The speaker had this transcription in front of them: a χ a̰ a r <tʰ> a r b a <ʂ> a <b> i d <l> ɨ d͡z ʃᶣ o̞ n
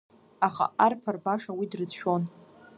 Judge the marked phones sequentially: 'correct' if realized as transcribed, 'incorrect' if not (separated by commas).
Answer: incorrect, correct, incorrect, incorrect